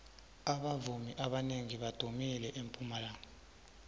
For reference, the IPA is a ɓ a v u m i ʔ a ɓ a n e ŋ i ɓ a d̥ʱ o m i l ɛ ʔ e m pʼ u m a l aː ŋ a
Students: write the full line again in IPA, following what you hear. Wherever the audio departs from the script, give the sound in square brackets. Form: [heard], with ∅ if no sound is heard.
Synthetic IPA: a ɓ a v u m i ʔ a ɓ a n e ŋ i ɓ a d̥ʱ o m i l ɛ ʔ e m pʼ u m a l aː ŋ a

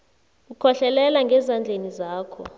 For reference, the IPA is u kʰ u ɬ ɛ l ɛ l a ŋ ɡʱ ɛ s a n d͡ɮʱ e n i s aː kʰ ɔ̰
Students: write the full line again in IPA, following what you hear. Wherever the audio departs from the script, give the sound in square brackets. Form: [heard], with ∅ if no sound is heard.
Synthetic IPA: u kʰ [ɔ] ɬ ɛ l ɛ l a ŋ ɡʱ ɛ [z] a n d͡ɮʱ e n i [z] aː kʰ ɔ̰

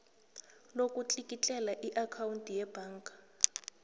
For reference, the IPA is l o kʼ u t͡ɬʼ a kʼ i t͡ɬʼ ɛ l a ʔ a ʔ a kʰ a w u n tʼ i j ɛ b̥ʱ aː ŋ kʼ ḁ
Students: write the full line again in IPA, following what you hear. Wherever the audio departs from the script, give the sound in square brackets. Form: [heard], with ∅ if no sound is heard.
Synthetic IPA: l o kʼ u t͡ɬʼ [i] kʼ i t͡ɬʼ ɛ l a ʔ [i] ʔ a kʰ a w u n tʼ i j ɛ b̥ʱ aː ŋ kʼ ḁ

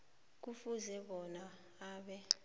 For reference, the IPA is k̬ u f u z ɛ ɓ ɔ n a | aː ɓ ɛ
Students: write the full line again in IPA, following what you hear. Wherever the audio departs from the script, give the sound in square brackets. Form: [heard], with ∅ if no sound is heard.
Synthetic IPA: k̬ u f u z ɛ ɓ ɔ n a | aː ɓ ɛ

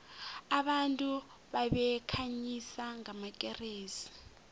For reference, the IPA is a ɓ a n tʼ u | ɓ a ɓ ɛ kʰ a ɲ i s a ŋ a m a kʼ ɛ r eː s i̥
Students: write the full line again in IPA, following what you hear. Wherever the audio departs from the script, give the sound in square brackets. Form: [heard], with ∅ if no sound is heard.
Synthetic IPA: a ɓ a n tʼ u | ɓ a ɓ ɛ kʰ a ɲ i s a ŋ a m a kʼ ɛ r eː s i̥

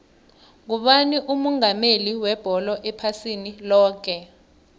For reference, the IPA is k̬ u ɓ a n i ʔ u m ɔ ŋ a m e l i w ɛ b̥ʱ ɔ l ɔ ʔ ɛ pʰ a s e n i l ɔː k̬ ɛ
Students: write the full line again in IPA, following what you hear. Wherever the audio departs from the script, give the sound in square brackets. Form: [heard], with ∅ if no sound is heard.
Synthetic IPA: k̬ u ɓ a n i ʔ u m ɔ ŋ a m e l i w ɛ b̥ʱ ɔ l ɔ ʔ ɛ pʰ a s [i] n i l ɔː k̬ ɛ

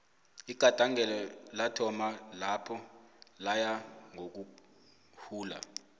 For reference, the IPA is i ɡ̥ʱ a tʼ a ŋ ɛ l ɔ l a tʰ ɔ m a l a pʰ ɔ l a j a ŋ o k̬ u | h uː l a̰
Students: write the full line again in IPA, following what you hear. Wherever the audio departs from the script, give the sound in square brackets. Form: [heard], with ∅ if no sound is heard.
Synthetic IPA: i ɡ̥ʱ a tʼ a ŋ ɛ l ɔ l a tʰ ɔ m a l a pʰ ɔ l a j a ŋ o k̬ u | h uː l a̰

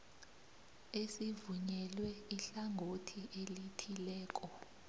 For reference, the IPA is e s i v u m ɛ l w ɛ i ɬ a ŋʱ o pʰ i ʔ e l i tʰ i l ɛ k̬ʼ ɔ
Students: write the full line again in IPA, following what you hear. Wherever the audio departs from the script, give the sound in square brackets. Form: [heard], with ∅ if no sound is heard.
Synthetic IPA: e s i v u [ɲ] ɛ l w ɛ i ɬ a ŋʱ o [tʰ] i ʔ e l i tʰ i l [ɛː] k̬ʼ ɔ

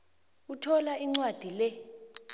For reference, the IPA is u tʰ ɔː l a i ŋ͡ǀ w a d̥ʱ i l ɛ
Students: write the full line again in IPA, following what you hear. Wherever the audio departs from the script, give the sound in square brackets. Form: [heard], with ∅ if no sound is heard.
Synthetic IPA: u tʰ [ɔ] l a i ŋ͡ǀ w a d̥ʱ i l ɛ

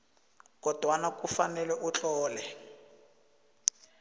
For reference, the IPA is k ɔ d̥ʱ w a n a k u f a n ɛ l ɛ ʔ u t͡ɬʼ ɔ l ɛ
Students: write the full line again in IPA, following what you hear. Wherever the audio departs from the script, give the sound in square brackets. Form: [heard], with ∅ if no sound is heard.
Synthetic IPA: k ɔ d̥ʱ w a n a k u f a n ɛ l ɛ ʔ u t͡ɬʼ [ɔː] l ɛ

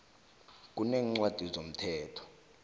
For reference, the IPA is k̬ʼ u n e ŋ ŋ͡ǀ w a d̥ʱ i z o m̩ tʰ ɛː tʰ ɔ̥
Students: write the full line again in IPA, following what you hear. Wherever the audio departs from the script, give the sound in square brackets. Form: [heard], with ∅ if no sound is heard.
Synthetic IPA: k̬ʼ u n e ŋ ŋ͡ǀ w a d̥ʱ i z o m̩ tʰ ɛː tʰ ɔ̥

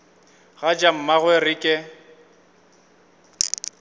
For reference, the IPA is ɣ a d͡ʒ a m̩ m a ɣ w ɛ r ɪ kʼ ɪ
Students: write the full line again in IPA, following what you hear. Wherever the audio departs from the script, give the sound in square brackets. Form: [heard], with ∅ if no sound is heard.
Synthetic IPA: ɣ a d͡ʒ a m̩ m a ɣ w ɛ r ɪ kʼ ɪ

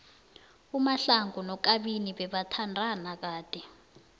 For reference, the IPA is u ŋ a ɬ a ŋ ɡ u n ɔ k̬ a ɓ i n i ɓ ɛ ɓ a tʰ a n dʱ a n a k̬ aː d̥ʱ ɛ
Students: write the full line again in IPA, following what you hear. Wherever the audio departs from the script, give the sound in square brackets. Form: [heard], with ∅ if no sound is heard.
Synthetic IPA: u [m] a ɬ a ŋ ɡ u n ɔ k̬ a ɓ i n i ɓ ɛ ɓ a tʰ a n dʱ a n a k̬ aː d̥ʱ ɛ

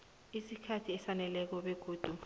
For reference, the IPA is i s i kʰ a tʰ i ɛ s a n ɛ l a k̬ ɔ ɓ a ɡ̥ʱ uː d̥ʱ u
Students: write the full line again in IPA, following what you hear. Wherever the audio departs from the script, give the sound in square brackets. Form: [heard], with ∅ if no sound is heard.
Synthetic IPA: i s i kʰ a tʰ i ɛ s a n ɛ l [ɛ] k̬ ɔ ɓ [e] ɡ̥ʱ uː d̥ʱ u

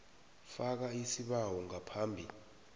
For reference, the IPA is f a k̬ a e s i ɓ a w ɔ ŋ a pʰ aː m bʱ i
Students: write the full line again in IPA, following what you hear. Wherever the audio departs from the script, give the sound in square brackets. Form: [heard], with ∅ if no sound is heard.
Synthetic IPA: f a k̬ a [i] s i ɓ a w ɔ ŋ a pʰ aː m bʱ i

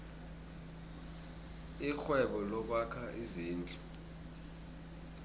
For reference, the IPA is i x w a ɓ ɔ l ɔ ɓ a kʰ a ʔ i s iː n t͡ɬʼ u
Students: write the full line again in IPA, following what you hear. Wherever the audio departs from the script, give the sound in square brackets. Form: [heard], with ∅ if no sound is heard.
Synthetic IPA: i x w [ɛ] ɓ ɔ l ɔ ɓ a kʰ a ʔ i [z] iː n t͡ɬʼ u

